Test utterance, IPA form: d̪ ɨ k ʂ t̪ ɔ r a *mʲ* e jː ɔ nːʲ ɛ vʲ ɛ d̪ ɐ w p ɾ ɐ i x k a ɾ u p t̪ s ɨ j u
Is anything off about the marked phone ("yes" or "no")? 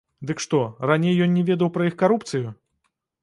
yes